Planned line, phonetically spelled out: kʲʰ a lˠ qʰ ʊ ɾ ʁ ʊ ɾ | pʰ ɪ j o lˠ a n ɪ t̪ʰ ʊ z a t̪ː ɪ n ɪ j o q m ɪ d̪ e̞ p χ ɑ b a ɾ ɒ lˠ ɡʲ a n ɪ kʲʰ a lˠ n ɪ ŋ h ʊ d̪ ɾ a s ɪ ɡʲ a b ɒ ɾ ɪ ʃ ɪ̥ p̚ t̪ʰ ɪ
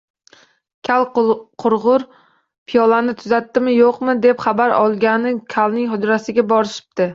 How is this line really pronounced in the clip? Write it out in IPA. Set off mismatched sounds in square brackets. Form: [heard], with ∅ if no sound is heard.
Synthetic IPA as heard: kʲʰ a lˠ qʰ ʊ ɾ ʁ ʊ ɾ | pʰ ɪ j [ɒ] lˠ a n ɪ t̪ʰ ʊ z a t̪ː ɪ [m] ɪ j o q m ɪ d̪ e̞ p χ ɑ b a ɾ ɒ lˠ ɡʲ a n ɪ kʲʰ a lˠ n ɪ ŋ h ʊ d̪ ɾ a s ɪ ɡʲ a b ɒ ɾ ɪ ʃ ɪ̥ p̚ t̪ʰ ɪ